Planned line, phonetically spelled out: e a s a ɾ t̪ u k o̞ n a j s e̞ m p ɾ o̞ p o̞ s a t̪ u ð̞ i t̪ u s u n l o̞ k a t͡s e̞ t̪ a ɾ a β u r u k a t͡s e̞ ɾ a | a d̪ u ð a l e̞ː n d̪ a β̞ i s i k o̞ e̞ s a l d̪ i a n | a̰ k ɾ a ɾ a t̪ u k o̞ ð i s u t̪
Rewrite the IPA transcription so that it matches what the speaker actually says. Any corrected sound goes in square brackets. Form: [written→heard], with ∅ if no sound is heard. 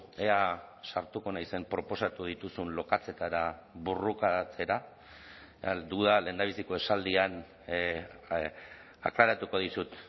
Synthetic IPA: e a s a ɾ t̪ u k o̞ n a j s e̞ m p ɾ o̞ p o̞ s a t̪ u ð̞ i t̪ u s u n l o̞ k a t͡s e̞ t̪ a ɾ a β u r u k a t͡s e̞ ɾ a | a d̪ u ð a l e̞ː n d̪ a β̞ i s i k o̞ e̞ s a l d̪ i a n | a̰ k [ɾ→l] a ɾ a t̪ u k o̞ ð i s u t̪